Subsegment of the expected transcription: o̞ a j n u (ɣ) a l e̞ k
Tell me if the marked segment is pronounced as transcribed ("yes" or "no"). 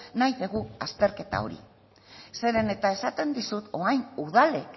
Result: no